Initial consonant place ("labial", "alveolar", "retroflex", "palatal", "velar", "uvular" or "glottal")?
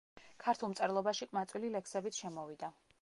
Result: velar